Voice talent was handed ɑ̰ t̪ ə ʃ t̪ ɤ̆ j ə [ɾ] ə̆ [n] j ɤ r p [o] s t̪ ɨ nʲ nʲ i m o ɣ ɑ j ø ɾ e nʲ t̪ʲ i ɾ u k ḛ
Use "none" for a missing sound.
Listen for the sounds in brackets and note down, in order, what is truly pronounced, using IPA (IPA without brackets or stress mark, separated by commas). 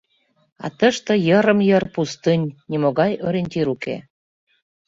ɾ, m, u